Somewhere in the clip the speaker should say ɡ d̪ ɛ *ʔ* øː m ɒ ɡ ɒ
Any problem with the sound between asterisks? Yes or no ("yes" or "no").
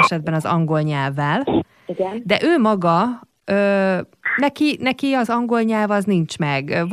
no